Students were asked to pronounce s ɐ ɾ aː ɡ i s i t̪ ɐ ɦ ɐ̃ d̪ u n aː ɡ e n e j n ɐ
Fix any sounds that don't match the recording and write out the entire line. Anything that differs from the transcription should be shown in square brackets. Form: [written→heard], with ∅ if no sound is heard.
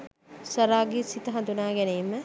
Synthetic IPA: s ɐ ɾ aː ɡ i s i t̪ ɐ ɦ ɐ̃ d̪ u n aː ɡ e n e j [n→m] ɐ